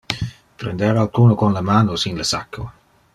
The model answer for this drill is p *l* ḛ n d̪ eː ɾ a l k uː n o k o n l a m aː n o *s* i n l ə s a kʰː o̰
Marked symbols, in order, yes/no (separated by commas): no, yes